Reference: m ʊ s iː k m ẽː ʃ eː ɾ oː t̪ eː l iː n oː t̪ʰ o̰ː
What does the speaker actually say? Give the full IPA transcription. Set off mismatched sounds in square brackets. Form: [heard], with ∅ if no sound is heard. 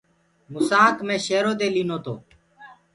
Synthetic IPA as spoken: m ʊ s [aː] k m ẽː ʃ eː ɾ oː [d̪] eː l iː n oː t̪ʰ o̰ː